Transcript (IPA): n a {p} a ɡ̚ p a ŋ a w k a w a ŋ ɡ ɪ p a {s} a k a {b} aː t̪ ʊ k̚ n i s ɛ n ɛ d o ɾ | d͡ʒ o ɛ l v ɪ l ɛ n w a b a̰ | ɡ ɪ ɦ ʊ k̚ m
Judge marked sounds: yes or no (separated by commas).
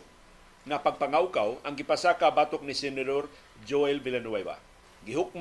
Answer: yes, yes, yes